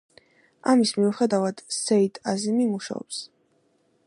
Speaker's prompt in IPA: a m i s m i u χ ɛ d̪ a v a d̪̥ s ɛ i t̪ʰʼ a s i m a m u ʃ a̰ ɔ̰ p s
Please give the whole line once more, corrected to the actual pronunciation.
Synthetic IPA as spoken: a m i s m i u χ ɛ d̪ a v a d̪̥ s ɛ i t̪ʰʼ a z i m i m u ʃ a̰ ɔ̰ p s